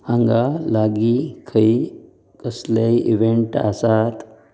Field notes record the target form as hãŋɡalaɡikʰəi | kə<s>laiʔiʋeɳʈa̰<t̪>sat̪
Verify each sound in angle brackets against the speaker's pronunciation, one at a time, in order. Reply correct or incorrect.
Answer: correct, incorrect: none

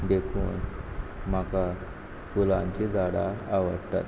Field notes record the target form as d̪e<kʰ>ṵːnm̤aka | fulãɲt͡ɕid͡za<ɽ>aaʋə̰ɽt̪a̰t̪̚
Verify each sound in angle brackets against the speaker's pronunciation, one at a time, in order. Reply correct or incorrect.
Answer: correct, correct

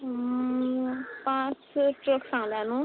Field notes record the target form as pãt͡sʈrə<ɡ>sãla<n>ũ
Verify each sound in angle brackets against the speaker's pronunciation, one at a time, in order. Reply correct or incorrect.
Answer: incorrect: k, correct

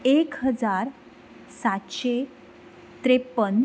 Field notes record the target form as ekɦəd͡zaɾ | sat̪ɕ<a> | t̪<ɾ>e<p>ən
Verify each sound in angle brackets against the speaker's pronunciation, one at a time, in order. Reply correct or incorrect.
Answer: incorrect: e, correct, correct

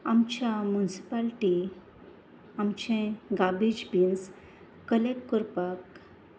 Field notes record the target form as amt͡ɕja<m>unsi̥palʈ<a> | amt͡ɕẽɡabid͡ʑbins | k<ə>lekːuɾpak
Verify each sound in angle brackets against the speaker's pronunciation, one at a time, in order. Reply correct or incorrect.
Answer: correct, incorrect: i, correct

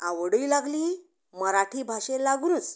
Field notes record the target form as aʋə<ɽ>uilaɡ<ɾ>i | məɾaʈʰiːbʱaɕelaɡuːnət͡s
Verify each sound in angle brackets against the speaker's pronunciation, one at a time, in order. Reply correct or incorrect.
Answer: correct, incorrect: l

